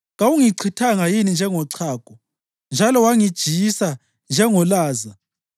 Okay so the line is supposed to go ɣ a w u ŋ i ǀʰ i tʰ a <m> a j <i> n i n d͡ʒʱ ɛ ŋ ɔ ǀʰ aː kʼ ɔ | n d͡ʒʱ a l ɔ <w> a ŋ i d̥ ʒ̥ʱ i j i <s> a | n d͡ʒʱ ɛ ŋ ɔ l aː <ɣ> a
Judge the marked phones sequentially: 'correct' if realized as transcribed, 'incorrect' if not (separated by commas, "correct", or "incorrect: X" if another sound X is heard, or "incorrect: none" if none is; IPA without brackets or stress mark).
incorrect: ŋ, correct, correct, correct, incorrect: z